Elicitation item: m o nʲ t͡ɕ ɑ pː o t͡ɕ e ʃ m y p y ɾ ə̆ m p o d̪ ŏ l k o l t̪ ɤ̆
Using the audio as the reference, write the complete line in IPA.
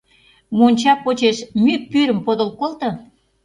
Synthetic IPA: m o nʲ t͡ɕ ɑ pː o t͡ɕ e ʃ m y p y ɾ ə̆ m p o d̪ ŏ l k o l t̪ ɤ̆